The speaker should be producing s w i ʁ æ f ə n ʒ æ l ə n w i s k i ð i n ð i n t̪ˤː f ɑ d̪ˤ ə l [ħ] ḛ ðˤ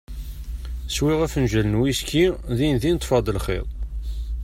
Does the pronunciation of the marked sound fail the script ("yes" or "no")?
yes